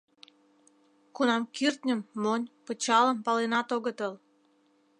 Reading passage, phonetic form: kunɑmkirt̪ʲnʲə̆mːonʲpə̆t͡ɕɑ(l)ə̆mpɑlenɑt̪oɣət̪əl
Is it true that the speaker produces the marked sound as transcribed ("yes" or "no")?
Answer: yes